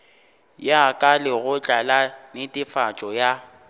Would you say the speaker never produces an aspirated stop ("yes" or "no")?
yes